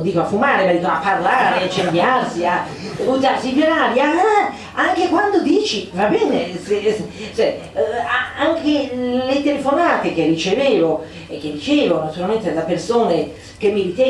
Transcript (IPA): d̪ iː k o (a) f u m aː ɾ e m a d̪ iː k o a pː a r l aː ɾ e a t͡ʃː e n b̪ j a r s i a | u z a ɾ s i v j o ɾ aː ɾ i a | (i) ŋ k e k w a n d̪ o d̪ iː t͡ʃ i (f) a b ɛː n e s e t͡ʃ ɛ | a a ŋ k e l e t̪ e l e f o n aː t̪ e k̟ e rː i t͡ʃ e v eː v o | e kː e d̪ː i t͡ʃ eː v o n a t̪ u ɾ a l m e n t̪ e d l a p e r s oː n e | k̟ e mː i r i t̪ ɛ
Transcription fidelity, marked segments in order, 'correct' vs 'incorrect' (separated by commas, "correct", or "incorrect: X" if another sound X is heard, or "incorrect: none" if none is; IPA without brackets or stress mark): correct, incorrect: a, incorrect: v